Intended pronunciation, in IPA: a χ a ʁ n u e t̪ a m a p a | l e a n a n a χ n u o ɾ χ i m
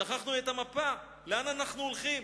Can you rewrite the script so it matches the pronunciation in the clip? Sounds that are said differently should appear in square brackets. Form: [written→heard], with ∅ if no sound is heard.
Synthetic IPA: a χ a [ʁ→χ] n u e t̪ a m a p a | l e a n a n a χ n u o [ɾ→l] χ i m